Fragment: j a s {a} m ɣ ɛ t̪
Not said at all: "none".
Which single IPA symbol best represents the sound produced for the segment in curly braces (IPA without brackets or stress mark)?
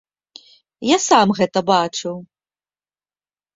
a